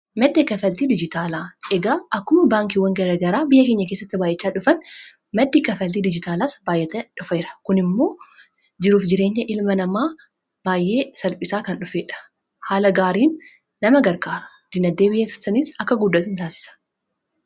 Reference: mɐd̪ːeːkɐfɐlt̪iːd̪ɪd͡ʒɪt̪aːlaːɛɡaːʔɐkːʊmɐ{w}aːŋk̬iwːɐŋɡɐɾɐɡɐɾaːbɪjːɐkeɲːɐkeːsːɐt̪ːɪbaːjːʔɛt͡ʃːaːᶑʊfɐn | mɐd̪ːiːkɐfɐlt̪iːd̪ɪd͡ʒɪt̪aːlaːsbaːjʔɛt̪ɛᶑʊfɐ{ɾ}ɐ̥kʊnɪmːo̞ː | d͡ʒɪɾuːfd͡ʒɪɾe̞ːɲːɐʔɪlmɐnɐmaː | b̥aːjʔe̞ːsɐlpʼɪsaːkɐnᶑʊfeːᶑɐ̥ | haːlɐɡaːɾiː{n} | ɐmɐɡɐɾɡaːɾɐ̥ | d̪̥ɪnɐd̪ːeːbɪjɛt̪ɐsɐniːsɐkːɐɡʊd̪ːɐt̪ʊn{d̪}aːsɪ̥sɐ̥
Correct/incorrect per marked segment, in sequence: incorrect: b, correct, incorrect: nː, incorrect: t̪

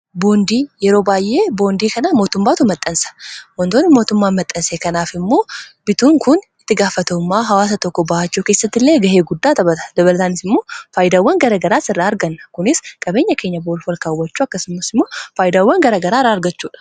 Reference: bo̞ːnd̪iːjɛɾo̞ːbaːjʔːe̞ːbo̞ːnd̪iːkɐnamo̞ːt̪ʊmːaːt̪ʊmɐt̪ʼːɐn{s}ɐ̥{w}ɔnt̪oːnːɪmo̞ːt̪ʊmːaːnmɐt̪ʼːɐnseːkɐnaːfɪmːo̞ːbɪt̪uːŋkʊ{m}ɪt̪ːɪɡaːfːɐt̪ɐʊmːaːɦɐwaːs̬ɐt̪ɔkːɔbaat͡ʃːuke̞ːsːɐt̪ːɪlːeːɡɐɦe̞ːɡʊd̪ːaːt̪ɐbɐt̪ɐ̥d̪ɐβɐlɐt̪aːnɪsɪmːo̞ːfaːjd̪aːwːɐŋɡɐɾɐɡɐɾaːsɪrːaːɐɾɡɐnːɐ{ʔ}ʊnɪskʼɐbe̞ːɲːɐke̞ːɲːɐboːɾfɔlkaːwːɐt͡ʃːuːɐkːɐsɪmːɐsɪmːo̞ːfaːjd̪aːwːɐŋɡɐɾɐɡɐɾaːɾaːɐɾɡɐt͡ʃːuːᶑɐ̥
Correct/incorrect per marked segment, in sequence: correct, correct, incorrect: n, incorrect: k

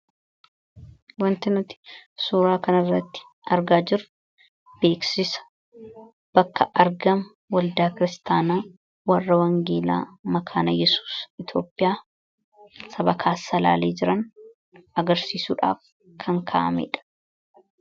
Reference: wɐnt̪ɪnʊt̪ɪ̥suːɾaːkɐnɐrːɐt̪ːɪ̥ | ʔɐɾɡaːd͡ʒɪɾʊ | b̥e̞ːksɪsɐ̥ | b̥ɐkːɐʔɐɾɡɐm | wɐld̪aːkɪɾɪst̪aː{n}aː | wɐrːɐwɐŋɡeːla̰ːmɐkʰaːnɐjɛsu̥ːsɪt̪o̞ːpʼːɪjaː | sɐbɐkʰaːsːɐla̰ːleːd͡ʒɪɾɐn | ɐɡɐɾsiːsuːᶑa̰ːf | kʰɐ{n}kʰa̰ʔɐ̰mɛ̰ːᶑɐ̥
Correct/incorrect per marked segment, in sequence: correct, incorrect: ŋ

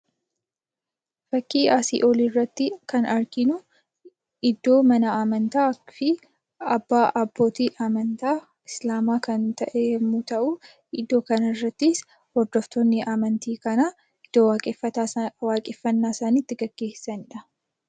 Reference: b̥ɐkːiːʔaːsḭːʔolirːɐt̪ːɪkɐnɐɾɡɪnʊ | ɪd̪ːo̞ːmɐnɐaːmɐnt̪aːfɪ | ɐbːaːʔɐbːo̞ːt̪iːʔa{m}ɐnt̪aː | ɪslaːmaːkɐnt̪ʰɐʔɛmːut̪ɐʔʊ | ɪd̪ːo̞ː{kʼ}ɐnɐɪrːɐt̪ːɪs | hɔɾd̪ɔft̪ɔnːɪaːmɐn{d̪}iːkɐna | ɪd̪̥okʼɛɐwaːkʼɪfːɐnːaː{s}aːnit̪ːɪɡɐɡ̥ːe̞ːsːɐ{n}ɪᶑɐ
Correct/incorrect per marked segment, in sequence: correct, incorrect: k, incorrect: t̪, correct, correct

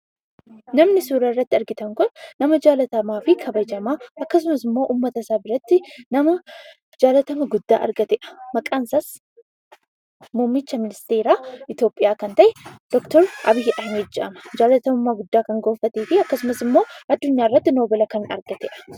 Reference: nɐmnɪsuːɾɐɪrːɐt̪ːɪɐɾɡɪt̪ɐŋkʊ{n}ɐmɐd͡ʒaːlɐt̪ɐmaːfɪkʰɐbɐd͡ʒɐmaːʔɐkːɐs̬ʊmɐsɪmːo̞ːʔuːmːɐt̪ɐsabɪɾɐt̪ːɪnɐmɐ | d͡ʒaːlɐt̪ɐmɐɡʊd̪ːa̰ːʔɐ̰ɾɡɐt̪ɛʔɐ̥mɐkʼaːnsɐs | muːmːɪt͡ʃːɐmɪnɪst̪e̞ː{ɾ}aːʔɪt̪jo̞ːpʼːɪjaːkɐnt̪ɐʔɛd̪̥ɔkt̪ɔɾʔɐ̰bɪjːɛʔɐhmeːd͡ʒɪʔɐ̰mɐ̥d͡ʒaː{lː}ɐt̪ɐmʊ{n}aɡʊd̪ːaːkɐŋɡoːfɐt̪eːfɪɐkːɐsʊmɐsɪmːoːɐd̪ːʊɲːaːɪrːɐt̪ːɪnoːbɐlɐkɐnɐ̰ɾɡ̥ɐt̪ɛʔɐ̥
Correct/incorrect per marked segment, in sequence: incorrect: nː, correct, incorrect: l, incorrect: m

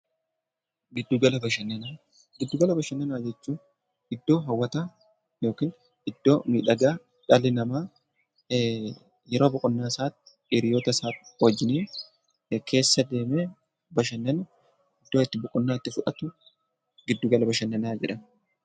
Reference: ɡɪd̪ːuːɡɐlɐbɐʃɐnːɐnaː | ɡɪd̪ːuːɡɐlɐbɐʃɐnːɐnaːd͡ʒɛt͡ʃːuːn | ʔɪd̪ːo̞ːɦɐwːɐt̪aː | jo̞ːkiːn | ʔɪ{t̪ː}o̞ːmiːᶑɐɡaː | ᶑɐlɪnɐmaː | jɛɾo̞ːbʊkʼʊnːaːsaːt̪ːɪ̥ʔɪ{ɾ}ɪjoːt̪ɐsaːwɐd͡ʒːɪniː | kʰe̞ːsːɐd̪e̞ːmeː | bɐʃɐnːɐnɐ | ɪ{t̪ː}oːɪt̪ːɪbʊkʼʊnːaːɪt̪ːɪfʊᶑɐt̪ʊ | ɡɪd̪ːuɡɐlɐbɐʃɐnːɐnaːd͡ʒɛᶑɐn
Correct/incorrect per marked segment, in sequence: incorrect: d̪ː, correct, incorrect: d̪ː

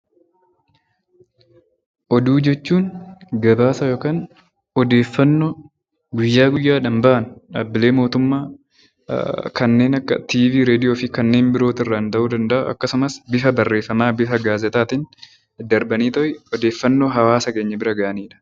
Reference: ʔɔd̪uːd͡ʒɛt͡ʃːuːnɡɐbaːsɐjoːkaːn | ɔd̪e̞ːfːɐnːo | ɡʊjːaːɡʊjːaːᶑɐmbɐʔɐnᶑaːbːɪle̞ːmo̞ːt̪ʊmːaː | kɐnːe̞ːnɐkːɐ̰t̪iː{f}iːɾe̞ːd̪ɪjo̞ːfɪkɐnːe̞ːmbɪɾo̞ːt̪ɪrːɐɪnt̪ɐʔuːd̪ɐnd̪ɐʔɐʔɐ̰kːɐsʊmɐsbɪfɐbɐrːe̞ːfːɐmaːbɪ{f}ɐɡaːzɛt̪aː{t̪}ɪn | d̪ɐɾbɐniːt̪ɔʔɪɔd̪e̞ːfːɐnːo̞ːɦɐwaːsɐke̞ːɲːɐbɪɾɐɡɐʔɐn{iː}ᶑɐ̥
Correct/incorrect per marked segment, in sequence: incorrect: v, correct, correct, correct

